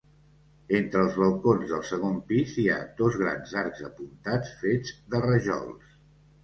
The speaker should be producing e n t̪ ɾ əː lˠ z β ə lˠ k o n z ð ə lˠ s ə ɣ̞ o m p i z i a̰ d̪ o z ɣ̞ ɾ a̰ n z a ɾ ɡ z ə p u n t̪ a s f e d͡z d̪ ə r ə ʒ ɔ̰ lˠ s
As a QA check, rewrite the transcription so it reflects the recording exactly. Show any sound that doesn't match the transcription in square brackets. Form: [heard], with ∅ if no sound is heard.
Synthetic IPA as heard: e n t̪ ɾ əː lˠ z β ə lˠ k o n z ð ə lˠ s ə ɣ̞ o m p i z i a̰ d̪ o z ɣ̞ ɾ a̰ n z a ɾ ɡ z ə p u n t̪ a [t͡s] f e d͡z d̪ ə r ə ʒ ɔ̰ lˠ s